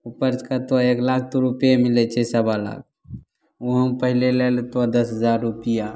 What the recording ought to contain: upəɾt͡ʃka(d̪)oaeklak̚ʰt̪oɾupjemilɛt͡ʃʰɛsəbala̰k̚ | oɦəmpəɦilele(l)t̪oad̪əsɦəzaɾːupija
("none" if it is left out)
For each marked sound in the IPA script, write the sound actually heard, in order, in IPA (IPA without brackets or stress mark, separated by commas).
t̪, l